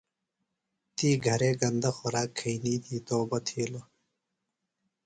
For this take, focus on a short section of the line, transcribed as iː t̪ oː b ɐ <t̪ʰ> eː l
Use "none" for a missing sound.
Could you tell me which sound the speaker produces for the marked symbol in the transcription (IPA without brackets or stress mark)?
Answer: t̪ʰ